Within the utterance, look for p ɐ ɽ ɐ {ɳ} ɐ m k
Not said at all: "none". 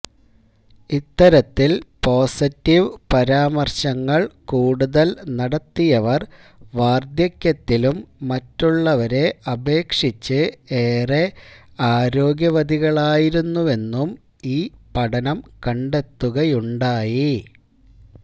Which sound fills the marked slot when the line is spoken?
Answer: n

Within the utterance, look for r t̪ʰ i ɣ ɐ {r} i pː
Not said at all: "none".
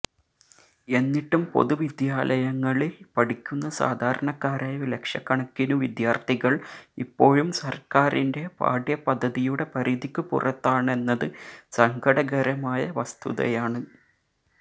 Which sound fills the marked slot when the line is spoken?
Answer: ɭ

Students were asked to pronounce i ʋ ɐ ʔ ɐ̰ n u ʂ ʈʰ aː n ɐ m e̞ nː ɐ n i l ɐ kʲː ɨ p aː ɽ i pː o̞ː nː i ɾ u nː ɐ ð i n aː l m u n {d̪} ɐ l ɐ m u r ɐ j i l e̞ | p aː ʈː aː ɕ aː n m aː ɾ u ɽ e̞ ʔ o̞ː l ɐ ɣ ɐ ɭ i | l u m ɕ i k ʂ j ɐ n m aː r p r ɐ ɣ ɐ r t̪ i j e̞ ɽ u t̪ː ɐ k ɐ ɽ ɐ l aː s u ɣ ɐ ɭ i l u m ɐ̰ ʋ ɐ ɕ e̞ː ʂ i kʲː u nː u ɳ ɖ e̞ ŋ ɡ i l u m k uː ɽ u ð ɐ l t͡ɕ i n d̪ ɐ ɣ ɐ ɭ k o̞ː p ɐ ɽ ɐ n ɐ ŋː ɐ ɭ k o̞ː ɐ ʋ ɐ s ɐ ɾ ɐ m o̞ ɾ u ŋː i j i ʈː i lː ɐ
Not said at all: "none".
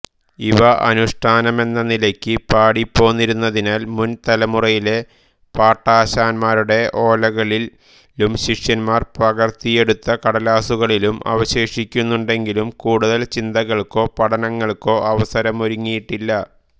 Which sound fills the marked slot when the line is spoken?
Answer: t̪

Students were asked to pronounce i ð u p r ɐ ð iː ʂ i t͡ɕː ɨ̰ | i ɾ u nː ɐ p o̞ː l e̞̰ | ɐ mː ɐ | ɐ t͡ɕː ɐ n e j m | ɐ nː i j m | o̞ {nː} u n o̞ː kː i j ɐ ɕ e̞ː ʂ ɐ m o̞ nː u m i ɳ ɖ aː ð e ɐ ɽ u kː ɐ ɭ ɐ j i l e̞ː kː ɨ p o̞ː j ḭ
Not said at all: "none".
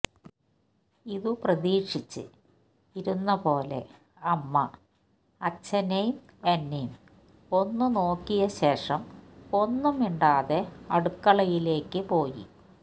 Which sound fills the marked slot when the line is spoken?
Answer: nː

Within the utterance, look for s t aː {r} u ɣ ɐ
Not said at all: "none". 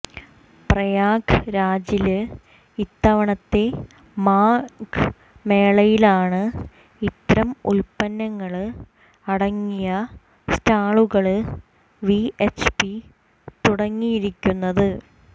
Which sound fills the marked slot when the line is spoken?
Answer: ɭ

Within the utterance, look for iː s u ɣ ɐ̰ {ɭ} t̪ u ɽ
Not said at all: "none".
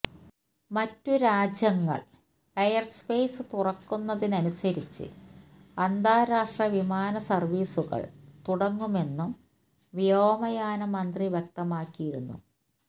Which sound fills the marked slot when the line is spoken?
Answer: ɭ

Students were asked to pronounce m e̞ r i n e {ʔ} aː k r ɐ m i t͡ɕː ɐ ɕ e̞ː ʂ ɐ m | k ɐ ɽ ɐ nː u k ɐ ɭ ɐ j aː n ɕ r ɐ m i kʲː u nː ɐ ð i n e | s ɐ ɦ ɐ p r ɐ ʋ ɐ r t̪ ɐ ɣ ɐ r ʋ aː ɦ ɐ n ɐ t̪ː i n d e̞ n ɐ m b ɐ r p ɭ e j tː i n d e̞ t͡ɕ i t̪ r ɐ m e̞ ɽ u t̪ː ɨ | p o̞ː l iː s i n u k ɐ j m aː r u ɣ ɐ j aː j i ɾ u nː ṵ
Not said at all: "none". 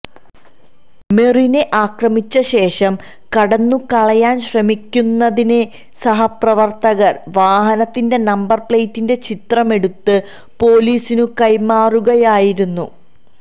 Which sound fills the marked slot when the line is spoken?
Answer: ʔ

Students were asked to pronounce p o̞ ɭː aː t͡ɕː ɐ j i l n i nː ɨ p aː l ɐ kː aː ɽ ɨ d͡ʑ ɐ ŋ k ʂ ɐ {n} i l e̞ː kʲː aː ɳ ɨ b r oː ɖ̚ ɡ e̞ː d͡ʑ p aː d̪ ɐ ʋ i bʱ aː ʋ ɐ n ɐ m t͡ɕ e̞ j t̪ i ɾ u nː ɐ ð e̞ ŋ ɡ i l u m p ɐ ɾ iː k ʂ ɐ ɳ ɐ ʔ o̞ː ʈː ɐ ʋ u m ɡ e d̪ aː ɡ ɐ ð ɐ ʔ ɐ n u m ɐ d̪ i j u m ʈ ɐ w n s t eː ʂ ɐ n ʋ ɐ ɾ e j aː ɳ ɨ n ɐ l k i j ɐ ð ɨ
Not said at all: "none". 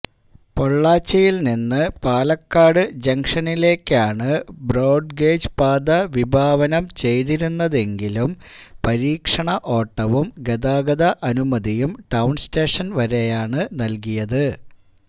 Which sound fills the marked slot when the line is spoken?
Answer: n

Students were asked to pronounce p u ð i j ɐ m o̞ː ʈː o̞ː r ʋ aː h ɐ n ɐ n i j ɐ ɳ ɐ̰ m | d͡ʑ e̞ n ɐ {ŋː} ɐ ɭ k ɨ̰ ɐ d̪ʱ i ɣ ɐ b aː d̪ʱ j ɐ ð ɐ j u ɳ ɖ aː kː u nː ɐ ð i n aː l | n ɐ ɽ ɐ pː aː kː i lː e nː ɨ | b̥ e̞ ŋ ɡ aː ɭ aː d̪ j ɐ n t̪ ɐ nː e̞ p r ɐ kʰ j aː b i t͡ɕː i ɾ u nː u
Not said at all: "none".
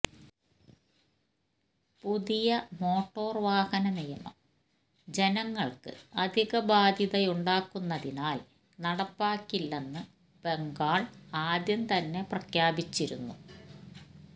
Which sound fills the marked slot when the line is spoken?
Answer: ŋː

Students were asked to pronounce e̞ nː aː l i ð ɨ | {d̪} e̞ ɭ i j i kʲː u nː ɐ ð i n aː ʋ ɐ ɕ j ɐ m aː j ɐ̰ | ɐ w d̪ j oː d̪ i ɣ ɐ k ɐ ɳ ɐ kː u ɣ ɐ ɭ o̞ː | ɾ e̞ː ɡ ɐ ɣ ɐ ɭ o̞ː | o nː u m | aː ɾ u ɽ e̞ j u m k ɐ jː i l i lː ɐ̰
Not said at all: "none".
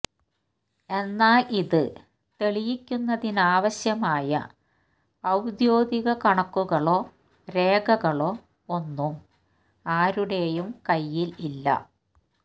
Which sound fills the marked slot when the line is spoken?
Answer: t̪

